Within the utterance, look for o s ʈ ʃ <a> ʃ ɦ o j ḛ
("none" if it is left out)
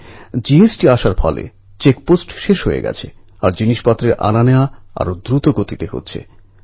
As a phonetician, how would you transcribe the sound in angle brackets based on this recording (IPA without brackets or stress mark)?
e